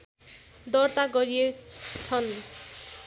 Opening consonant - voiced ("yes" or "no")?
yes